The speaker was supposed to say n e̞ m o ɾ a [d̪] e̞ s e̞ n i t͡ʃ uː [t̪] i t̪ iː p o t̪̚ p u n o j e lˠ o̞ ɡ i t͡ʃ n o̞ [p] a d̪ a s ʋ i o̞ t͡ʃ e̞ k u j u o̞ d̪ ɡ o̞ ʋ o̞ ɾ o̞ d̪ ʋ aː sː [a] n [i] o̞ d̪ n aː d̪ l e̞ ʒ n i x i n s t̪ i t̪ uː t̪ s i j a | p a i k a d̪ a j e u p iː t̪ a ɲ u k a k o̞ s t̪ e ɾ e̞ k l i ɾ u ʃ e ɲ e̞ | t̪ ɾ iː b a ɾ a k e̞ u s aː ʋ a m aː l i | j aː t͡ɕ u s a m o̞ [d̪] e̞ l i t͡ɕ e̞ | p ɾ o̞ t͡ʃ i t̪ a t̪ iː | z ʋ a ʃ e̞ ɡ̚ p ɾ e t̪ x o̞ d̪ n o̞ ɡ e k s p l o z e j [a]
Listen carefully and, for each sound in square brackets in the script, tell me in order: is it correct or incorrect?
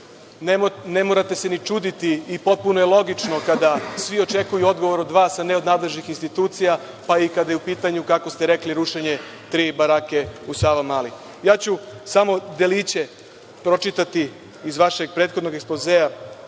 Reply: incorrect: t̪, incorrect: d̪, incorrect: k, correct, incorrect: e, correct, correct

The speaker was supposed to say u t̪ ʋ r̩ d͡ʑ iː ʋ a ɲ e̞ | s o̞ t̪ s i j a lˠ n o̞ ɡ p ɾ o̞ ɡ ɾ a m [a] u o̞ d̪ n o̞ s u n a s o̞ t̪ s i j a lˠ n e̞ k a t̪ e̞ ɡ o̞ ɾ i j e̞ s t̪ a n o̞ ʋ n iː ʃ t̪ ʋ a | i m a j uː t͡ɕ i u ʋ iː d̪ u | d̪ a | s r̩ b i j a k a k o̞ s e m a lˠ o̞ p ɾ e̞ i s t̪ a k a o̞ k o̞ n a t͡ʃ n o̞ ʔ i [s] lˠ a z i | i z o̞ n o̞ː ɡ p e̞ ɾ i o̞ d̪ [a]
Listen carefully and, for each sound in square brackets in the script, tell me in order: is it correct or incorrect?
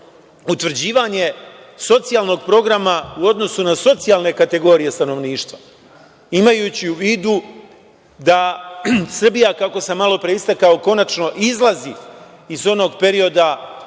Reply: correct, incorrect: z, correct

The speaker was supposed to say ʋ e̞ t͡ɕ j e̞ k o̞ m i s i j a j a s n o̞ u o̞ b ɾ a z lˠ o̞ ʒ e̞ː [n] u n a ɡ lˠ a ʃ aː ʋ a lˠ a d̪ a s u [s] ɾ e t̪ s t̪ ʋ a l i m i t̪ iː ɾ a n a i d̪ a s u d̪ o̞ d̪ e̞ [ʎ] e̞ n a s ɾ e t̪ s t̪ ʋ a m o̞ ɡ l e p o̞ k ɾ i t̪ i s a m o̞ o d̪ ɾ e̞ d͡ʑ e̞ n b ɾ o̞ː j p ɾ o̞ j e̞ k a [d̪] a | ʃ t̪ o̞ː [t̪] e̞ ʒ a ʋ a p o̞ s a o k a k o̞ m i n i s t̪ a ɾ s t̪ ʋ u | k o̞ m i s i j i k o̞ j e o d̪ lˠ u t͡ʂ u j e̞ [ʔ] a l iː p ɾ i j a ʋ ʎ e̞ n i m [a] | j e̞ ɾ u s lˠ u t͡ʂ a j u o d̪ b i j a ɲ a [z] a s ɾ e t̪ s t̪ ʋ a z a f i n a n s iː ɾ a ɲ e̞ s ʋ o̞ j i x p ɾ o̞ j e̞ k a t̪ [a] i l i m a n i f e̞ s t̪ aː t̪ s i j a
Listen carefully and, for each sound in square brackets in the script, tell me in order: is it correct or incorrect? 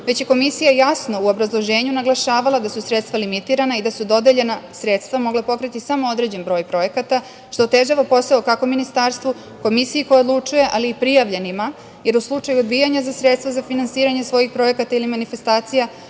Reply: incorrect: ɲ, correct, correct, incorrect: t̪, correct, correct, correct, correct, correct

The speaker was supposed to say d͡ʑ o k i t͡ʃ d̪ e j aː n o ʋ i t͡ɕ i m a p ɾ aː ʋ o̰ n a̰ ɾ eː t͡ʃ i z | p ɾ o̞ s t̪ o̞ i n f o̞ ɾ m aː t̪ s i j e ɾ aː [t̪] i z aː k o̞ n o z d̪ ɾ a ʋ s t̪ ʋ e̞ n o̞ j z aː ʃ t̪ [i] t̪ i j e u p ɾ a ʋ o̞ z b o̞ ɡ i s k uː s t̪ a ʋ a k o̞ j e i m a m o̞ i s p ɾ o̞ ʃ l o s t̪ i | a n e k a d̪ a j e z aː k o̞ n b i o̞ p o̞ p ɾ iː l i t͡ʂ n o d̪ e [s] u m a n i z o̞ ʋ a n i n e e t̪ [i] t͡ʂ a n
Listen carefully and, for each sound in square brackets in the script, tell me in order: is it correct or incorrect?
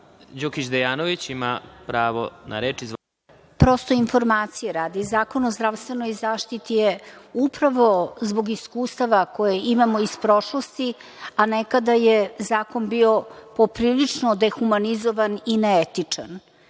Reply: incorrect: d̪, correct, incorrect: x, correct

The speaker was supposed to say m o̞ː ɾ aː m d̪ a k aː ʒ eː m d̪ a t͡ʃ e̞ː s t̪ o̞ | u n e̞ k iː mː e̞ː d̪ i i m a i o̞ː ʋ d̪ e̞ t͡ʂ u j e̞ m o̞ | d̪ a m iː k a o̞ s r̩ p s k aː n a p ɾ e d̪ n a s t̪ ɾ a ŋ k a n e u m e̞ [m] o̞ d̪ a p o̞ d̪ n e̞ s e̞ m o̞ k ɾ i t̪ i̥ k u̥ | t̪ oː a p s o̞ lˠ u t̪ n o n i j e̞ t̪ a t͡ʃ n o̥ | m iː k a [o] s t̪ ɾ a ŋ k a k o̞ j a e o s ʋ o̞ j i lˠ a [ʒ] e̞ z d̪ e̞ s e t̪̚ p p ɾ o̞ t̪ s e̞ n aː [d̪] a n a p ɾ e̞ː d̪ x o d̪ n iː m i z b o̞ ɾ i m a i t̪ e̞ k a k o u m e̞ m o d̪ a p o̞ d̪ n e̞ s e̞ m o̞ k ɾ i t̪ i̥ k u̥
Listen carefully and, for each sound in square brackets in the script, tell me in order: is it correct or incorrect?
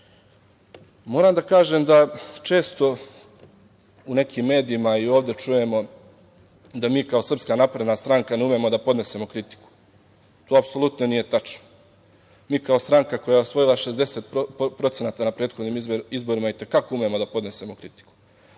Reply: correct, correct, incorrect: ʃ, incorrect: t̪

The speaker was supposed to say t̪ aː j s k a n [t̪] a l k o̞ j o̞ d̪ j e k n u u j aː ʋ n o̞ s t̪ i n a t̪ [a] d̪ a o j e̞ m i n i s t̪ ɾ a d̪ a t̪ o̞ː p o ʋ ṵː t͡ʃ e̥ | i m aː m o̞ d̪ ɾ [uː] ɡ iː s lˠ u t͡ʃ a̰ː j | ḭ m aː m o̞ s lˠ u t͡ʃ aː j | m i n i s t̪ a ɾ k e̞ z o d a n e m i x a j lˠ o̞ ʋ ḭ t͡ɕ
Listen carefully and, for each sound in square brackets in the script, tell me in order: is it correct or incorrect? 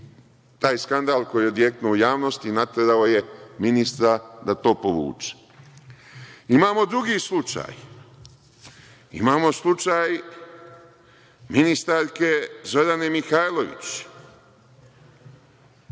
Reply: incorrect: d̪, incorrect: e, incorrect: u

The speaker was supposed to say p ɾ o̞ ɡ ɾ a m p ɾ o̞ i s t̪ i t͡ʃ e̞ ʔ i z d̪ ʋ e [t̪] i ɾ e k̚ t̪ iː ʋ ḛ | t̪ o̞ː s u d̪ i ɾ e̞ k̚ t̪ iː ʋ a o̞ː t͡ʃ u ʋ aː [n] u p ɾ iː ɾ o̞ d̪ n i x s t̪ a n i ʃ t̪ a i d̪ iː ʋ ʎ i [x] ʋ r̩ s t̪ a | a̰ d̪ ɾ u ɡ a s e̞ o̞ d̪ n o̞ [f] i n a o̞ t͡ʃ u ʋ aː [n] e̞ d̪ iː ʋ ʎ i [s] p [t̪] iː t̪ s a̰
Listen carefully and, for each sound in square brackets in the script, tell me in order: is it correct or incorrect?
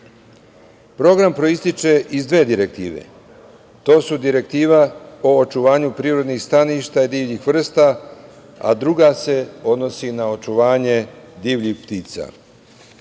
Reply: incorrect: d̪, incorrect: ɲ, correct, incorrect: s, incorrect: ɲ, incorrect: x, correct

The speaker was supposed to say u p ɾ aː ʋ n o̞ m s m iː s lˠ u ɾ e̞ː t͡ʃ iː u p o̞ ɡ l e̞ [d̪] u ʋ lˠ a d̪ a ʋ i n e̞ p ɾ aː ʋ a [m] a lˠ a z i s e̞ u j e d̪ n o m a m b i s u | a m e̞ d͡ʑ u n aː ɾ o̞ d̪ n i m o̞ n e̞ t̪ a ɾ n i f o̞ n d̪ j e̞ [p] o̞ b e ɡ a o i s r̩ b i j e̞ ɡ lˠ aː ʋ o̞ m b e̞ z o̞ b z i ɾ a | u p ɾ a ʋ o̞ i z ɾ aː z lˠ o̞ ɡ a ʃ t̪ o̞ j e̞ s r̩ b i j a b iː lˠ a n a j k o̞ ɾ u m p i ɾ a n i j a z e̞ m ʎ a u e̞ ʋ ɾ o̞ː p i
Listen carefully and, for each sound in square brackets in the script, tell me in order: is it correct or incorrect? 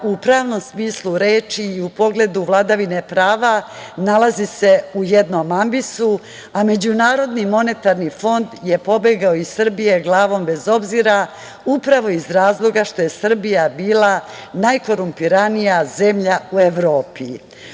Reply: correct, incorrect: n, correct

